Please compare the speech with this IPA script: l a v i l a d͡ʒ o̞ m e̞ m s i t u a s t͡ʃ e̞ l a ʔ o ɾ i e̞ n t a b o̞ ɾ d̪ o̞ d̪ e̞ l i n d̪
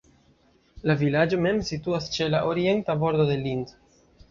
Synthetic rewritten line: l a v i l a d͡ʒ o̞ m e̞ m s i t u a s t͡ʃ e̞ l a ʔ o ɾ i e̞ n t a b o̞ ɾ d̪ o̞ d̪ e̞ l i n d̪